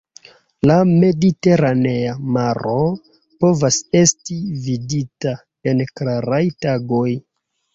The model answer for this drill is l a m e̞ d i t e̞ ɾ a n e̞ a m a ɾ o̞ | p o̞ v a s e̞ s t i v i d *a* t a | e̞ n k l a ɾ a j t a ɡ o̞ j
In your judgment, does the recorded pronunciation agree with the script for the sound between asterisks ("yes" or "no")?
no